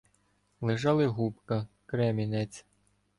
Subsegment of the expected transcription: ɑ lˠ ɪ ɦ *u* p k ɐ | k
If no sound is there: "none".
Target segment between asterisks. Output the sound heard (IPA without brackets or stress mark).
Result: u